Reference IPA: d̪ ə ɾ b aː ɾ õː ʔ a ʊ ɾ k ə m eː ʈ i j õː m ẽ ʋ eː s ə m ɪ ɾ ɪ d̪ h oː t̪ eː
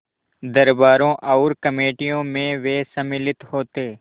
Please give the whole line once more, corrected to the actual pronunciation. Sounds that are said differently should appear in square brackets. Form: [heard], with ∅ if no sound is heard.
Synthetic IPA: d̪ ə ɾ b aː ɾ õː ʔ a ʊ ɾ k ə m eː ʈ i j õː m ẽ ʋ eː s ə m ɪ [l] ɪ [t̪] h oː t̪ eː